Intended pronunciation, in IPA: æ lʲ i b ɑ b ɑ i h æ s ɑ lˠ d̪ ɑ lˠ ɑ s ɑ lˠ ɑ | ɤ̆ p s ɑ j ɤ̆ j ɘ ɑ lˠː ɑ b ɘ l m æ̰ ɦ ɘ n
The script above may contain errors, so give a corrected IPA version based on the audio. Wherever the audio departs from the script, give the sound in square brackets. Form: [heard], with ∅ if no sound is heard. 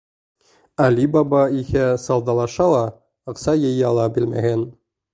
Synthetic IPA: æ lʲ i b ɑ b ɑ i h æ s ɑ lˠ d̪ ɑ lˠ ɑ [ʃ] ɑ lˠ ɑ | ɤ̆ [q] s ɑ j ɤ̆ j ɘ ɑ [lˠ] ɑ b ɘ l m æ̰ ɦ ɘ n